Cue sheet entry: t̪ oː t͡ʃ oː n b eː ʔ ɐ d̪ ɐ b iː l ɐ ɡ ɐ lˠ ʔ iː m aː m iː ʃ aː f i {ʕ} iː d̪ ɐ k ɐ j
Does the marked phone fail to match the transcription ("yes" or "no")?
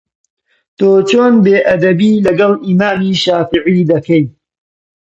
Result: no